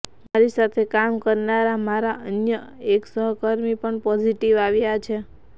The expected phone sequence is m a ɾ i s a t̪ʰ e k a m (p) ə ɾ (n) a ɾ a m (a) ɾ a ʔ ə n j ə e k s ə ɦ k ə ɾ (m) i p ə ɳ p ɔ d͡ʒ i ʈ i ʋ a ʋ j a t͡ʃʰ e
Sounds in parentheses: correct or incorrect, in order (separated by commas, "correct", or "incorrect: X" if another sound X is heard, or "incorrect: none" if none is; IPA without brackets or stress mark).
incorrect: k, correct, correct, correct